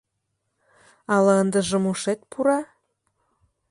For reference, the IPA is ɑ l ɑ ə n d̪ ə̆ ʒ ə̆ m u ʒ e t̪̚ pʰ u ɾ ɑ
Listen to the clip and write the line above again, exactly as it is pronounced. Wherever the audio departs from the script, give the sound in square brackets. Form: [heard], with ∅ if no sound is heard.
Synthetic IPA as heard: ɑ l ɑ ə n d̪ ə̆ ʒ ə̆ m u [ʃ] e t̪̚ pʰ u ɾ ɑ